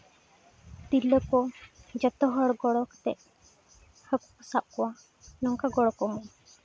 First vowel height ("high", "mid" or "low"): high